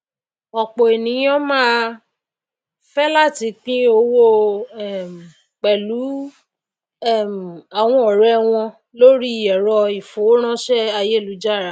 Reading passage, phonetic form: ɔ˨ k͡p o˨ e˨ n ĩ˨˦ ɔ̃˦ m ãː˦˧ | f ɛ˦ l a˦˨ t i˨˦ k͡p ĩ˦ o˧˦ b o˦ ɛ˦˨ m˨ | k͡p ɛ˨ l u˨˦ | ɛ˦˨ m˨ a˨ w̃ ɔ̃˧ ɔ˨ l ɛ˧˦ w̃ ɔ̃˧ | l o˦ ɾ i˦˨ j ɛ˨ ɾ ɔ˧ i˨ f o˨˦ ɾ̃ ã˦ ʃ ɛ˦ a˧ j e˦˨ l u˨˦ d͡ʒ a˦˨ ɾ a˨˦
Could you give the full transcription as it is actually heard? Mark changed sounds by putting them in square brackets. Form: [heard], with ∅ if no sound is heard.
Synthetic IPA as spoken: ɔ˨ k͡p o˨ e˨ n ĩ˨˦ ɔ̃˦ m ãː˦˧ | f ɛ˦ l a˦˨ t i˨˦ k͡p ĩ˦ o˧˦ [w] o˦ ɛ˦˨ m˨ | k͡p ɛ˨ l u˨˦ | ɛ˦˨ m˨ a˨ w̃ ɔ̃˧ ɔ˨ [ɾ] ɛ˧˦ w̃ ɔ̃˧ | l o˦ ɾ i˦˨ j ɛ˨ ɾ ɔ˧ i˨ f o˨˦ ɾ̃ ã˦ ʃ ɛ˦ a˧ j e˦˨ l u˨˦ d͡ʒ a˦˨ ɾ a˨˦